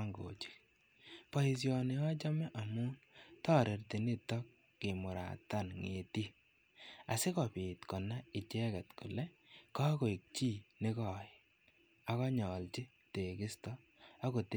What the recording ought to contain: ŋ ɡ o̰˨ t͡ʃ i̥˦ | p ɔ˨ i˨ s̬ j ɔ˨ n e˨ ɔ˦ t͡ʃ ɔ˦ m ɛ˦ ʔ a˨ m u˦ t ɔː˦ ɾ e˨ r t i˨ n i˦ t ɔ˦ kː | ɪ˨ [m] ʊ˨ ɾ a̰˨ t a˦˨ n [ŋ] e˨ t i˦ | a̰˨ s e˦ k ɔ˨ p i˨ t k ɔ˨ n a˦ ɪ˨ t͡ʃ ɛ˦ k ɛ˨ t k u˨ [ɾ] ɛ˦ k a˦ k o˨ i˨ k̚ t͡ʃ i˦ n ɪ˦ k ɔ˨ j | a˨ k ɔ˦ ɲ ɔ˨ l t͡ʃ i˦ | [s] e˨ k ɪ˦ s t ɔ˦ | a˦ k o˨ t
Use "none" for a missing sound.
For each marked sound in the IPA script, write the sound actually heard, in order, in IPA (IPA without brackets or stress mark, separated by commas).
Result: m, ŋ, l, t